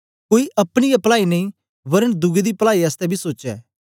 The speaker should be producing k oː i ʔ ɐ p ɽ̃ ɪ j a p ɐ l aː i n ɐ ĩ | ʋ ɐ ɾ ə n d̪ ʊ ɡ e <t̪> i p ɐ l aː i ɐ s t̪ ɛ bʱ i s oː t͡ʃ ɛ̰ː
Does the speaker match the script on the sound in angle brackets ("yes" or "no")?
no